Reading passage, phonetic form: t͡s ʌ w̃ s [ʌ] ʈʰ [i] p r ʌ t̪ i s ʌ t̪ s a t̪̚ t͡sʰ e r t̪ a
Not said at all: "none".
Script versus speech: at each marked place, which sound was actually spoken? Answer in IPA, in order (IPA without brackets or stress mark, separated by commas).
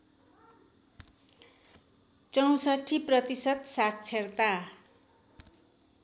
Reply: ʌ, i